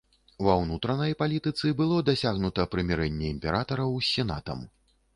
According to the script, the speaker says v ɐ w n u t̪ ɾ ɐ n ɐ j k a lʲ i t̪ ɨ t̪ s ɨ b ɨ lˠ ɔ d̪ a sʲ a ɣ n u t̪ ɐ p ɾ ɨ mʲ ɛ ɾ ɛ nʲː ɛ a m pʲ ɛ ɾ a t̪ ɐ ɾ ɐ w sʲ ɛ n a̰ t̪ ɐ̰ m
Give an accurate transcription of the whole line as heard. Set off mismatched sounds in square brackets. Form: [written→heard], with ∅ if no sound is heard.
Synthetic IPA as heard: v ɐ w n u t̪ ɾ ɐ n ɐ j [k→p] a lʲ i t̪ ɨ t̪ s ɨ b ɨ lˠ ɔ d̪ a sʲ a ɣ n u t̪ ɐ p ɾ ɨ mʲ ɛ ɾ ɛ nʲː ɛ [a→i] m pʲ ɛ ɾ a t̪ ɐ ɾ ɐ w sʲ ɛ n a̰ t̪ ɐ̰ m